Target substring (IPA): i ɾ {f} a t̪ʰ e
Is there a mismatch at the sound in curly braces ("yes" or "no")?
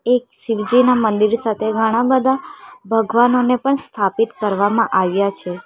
yes